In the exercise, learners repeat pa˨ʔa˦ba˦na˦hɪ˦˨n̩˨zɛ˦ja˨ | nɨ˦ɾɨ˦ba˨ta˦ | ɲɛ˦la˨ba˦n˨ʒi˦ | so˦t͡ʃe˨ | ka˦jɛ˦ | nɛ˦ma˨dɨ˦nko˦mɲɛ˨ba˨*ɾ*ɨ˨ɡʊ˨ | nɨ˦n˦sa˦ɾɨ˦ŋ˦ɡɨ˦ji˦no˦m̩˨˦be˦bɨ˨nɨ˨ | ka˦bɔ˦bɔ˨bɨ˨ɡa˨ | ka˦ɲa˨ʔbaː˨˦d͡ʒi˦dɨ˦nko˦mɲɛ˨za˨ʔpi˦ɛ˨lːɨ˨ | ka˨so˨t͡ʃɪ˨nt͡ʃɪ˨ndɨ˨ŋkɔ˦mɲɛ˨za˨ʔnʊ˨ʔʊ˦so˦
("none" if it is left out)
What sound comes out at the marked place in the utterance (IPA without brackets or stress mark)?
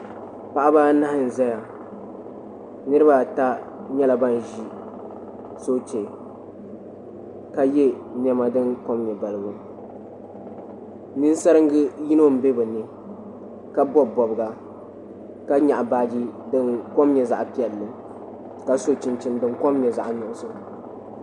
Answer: l